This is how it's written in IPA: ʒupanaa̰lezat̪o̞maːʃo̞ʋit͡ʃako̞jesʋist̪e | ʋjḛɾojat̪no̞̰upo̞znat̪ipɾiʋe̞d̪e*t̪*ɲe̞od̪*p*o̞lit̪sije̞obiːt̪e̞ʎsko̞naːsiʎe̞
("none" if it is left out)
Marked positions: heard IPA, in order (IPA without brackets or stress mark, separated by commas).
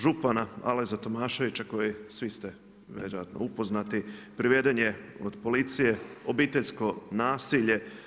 none, p